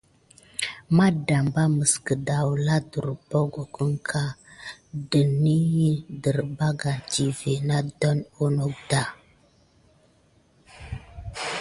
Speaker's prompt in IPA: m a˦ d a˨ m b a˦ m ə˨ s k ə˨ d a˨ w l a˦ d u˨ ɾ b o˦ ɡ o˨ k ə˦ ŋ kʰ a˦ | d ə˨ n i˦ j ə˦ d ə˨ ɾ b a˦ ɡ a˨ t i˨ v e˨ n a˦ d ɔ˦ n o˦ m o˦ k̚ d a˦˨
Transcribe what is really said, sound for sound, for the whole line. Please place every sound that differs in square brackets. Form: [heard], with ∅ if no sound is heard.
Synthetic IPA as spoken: m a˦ d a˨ m b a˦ m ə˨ s k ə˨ d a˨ w l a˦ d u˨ ɾ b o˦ ɡ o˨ k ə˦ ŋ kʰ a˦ | d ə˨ n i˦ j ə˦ d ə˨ ɾ b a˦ ɡ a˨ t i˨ v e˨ n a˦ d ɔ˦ n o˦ [n] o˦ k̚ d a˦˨